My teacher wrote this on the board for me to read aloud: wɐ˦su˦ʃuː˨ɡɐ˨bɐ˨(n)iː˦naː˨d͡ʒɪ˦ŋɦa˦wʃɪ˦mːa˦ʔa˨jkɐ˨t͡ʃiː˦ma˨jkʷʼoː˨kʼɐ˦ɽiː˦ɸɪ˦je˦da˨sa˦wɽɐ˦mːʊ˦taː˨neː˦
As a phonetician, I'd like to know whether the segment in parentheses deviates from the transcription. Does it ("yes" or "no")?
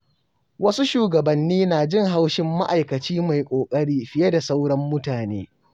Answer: yes